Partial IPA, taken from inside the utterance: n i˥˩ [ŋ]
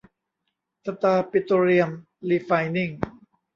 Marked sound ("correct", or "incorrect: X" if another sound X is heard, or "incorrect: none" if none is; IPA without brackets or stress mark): correct